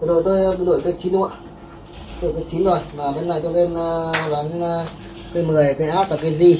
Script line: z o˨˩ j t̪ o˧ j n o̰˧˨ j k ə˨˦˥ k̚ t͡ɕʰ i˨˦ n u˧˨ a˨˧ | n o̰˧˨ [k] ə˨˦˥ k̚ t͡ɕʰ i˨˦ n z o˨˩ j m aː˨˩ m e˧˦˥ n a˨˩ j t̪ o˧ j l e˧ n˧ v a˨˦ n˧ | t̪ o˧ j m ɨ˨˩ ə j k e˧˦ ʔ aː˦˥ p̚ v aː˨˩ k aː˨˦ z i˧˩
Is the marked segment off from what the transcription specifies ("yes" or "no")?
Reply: no